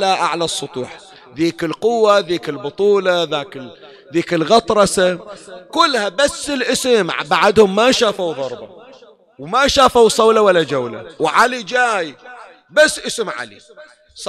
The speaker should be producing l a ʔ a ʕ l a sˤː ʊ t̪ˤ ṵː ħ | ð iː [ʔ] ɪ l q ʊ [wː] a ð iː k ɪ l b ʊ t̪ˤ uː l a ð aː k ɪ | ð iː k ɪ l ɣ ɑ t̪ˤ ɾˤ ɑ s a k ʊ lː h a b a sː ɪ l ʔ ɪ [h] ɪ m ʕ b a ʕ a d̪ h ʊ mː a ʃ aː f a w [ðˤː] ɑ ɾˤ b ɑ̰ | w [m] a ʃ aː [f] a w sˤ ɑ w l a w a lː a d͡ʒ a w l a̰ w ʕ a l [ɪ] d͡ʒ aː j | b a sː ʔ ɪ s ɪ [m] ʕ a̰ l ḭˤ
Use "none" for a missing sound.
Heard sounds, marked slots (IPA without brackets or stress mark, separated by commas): k, wː, s, ðˤ, m, f, i, m